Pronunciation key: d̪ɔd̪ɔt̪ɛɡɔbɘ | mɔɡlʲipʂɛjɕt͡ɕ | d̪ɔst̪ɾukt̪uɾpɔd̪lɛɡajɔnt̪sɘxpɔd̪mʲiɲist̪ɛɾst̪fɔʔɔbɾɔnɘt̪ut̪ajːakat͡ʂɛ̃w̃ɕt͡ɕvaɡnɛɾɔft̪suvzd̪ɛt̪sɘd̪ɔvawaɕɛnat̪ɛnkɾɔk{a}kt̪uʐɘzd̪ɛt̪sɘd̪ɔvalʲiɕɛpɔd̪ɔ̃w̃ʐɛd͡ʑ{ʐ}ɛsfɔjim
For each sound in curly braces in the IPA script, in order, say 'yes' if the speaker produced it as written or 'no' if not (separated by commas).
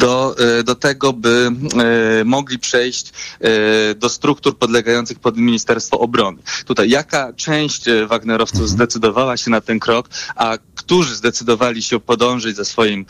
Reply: yes, no